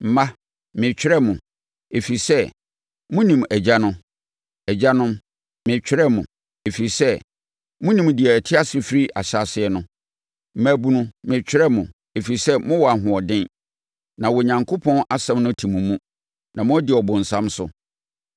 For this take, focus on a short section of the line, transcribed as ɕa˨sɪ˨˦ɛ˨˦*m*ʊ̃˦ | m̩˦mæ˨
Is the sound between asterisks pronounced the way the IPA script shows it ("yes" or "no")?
no